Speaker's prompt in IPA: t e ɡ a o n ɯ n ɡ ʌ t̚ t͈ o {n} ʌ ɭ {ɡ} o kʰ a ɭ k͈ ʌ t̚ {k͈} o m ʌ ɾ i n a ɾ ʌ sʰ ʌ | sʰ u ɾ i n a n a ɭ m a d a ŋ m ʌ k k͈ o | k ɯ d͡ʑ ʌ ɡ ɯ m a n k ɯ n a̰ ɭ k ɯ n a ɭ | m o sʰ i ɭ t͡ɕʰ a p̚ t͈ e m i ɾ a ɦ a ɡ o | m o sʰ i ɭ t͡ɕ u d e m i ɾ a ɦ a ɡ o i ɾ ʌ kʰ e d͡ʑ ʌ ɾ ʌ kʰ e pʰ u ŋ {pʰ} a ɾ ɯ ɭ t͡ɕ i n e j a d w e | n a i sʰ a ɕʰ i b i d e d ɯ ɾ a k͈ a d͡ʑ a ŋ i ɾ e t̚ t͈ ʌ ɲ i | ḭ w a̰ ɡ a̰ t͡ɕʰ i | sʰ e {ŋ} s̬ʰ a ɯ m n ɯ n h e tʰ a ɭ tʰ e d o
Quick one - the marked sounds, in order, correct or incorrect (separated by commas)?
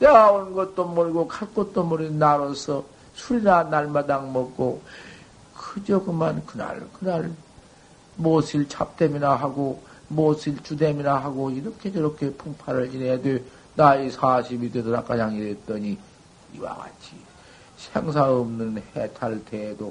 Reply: incorrect, correct, incorrect, correct, correct